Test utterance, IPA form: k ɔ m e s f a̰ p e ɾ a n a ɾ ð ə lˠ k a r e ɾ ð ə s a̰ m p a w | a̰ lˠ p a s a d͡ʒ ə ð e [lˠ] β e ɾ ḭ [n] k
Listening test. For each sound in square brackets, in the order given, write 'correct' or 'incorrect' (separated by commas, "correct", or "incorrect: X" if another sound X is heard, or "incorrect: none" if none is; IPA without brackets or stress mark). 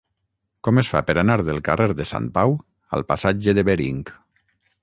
incorrect: none, incorrect: ŋ